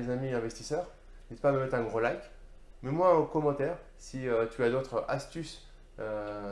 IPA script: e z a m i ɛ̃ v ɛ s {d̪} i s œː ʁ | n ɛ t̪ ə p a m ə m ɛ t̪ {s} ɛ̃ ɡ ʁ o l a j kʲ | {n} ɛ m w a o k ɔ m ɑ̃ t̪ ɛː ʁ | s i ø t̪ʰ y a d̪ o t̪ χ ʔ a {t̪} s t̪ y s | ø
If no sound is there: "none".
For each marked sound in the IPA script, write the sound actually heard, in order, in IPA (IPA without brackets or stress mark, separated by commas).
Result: t̪, χ, m, none